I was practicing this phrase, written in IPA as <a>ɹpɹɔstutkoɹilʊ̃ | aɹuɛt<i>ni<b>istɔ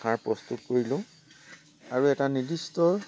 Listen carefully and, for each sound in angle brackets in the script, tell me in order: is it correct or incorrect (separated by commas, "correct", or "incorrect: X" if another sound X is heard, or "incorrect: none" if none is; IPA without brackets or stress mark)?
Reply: correct, incorrect: a, incorrect: d